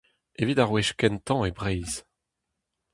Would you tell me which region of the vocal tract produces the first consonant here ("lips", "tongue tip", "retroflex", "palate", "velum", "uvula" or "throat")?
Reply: lips